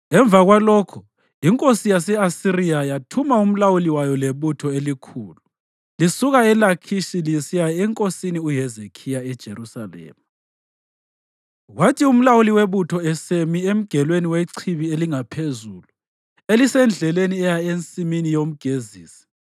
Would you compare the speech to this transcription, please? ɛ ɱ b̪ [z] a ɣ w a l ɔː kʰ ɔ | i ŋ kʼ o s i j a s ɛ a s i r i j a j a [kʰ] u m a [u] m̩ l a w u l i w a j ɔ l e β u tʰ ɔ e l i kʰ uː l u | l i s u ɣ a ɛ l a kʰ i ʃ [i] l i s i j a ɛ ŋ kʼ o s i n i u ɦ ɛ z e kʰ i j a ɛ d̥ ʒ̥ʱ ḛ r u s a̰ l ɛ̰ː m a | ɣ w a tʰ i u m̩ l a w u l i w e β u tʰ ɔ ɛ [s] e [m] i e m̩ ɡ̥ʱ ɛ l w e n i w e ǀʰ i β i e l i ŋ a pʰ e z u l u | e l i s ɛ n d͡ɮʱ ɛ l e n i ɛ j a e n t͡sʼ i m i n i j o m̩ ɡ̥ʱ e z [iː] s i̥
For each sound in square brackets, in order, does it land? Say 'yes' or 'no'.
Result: no, no, yes, yes, yes, yes, yes

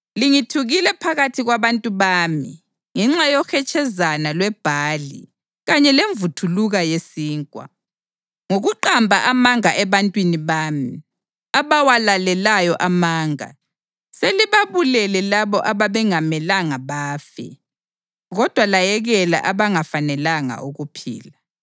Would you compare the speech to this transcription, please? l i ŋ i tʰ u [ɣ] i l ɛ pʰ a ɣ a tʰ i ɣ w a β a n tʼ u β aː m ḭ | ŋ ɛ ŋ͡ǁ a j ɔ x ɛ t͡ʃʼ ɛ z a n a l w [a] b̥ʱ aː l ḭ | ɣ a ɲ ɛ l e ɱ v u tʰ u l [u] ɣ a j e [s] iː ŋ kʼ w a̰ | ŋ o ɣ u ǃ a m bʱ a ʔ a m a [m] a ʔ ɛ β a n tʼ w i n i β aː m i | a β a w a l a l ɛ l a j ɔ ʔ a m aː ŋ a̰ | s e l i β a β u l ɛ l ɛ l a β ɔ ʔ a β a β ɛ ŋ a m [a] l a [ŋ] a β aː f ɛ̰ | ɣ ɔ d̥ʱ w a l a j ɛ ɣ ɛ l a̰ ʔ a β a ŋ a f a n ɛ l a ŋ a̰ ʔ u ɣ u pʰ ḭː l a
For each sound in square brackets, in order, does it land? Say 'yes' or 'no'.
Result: yes, no, yes, yes, no, no, yes

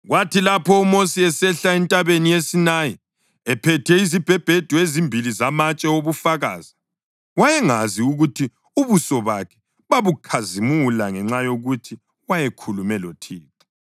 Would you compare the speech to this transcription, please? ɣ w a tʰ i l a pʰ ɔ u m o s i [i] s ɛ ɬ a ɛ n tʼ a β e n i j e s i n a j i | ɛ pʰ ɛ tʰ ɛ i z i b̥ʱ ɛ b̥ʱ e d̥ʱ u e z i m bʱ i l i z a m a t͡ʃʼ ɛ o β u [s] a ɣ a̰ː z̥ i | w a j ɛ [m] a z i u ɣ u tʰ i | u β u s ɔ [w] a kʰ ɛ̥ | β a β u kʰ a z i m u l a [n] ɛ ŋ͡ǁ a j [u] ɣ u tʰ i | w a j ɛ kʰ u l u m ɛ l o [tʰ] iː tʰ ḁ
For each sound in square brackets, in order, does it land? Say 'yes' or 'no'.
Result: no, no, no, no, no, no, yes

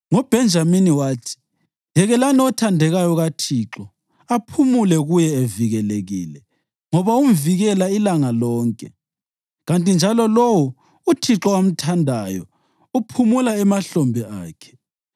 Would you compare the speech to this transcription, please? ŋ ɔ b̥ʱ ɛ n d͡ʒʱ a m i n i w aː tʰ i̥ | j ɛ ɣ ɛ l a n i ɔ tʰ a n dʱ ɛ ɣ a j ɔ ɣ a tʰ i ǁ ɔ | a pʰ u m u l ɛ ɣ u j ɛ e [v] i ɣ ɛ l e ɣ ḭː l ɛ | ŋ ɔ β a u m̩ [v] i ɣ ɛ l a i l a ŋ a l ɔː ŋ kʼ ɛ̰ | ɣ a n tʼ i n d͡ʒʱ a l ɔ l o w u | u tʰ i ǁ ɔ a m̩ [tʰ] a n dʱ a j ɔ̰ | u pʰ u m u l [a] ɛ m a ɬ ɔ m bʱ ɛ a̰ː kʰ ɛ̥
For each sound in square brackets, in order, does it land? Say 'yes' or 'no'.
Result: yes, yes, yes, yes

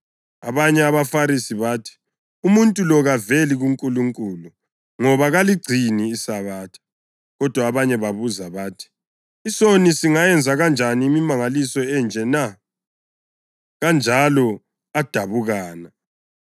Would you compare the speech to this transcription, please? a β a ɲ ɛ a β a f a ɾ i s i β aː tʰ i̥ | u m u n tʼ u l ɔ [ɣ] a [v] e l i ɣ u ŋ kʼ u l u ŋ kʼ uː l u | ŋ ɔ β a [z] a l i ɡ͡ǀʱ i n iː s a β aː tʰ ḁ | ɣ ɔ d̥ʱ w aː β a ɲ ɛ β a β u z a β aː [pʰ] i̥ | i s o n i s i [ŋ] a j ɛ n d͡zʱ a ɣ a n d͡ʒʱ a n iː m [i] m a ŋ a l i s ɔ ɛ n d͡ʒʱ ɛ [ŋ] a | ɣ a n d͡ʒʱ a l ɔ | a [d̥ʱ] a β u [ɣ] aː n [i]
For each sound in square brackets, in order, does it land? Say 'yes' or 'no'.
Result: yes, yes, no, no, yes, yes, no, yes, yes, no

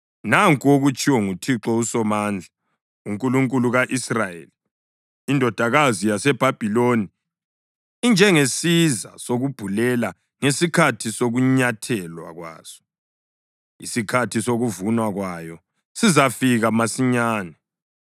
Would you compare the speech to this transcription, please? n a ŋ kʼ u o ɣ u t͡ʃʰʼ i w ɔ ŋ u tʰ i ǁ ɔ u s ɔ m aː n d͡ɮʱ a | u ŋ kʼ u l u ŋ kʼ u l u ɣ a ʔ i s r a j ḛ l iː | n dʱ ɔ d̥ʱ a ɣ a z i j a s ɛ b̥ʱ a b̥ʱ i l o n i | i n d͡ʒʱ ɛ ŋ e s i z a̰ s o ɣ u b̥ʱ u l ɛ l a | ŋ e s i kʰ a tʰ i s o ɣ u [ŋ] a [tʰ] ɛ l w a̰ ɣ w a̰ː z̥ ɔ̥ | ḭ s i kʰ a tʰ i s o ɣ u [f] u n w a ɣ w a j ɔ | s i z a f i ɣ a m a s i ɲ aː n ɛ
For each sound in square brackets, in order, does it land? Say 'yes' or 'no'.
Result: no, yes, no

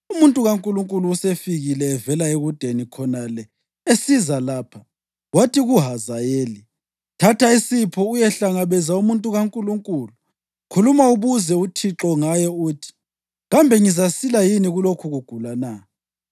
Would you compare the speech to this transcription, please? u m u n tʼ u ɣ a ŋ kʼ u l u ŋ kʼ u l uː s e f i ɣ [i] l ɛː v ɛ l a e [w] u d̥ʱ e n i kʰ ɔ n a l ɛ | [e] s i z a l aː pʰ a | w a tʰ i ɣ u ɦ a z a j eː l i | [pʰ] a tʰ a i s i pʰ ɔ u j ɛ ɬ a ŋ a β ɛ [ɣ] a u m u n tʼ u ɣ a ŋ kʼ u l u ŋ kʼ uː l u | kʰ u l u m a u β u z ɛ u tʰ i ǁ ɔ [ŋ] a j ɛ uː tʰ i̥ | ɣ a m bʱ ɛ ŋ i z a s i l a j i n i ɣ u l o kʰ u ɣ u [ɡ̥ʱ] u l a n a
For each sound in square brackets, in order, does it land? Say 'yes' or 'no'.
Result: yes, no, yes, no, no, yes, yes

